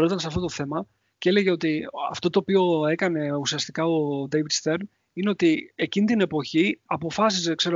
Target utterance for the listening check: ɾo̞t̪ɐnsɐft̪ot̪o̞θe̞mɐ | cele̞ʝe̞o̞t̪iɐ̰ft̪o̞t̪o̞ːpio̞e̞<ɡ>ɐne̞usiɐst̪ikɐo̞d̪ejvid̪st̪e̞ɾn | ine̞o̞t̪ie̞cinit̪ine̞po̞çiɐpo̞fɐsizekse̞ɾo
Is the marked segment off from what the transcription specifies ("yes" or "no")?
yes